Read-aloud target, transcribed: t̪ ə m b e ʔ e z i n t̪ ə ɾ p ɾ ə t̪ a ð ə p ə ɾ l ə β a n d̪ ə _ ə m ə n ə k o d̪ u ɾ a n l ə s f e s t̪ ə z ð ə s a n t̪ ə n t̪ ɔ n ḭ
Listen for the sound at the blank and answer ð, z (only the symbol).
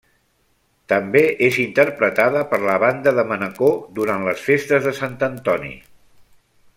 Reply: ð